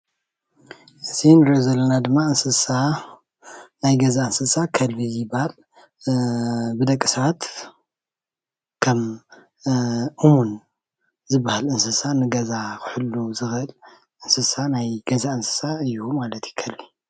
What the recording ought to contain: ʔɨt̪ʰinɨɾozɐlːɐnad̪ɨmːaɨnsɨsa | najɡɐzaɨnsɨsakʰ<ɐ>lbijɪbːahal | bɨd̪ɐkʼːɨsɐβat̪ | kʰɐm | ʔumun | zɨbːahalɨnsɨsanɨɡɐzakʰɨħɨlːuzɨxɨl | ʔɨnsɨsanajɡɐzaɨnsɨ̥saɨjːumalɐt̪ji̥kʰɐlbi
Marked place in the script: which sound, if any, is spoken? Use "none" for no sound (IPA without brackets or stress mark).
ɐ